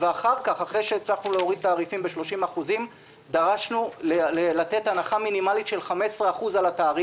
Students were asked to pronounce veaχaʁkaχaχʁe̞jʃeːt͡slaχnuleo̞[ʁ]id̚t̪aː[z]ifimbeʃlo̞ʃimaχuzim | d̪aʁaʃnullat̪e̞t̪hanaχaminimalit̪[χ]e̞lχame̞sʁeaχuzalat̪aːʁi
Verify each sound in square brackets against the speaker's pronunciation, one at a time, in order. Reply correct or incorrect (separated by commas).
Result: correct, incorrect, incorrect